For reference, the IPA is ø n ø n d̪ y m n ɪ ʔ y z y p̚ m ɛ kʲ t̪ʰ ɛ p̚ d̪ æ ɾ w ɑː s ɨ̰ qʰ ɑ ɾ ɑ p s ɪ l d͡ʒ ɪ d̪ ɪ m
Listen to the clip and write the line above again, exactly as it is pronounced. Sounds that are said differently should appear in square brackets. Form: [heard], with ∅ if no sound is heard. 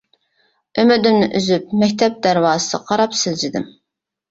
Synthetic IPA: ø [m] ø [∅] d̪ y m n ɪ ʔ y z y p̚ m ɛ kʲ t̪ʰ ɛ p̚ d̪ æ ɾ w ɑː s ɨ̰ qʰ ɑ ɾ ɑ p s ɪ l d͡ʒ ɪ d̪ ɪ m